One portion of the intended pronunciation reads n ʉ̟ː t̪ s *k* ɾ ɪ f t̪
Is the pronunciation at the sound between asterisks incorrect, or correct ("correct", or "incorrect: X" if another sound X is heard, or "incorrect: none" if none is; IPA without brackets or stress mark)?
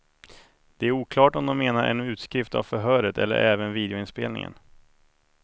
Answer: correct